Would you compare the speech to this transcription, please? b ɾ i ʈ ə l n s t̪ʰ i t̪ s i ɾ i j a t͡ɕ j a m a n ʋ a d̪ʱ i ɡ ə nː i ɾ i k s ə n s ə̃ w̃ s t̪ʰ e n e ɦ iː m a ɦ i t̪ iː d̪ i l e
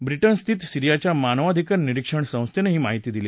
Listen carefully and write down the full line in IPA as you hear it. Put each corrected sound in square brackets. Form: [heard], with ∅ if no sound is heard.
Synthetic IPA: b ɾ i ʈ ə [∅] n s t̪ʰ i t̪ s i ɾ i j a t͡ɕ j a m a n ʋ a d̪ʱ i [k] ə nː i ɾ i k [ʂ] ə [ɳ] s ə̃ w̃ s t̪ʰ e n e ɦ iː m a ɦ i t̪ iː d̪ i l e